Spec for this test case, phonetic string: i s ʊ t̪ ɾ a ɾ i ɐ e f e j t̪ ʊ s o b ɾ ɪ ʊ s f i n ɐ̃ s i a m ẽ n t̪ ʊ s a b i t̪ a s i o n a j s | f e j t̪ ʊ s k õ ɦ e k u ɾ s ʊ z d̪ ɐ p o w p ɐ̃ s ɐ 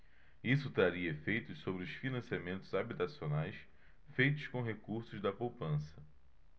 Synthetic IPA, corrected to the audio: i s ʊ t̪ ɾ a ɾ i ɐ e f e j t̪ ʊ s o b ɾ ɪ ʊ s f i n ɐ̃ s i a m ẽ n t̪ ʊ z a b i t̪ a s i o n a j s | f e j t̪ ʊ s k õ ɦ e k u ɾ s ʊ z d̪ ɐ p o w p ɐ̃ s ɐ